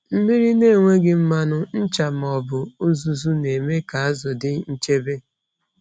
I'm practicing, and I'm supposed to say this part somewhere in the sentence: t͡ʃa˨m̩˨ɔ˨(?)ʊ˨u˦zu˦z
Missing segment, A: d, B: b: B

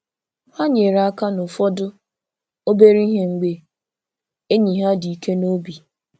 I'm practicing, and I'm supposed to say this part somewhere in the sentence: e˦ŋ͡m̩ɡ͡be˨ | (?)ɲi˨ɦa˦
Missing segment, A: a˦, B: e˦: B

